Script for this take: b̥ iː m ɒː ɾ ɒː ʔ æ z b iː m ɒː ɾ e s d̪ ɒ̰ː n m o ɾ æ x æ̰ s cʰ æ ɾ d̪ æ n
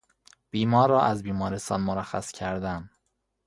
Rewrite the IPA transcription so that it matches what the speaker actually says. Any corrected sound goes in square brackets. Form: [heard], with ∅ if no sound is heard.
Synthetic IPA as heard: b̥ iː m ɒː ɾ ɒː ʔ æ z b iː m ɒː ɾ e s [t̪] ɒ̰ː n m o ɾ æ x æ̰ s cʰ æ ɾ d̪ æ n